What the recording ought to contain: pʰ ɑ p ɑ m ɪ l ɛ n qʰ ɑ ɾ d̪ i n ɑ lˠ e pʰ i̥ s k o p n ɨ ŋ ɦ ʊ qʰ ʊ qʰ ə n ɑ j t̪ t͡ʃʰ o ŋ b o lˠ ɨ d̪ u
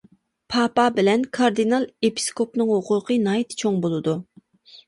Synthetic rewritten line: pʰ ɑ p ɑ b ɪ l ɛ n kʰ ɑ ɾ d̪ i n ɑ lˠ e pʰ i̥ s k o p n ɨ ŋ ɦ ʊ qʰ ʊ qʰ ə n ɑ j t̪ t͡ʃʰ o ŋ b o lˠ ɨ d̪ u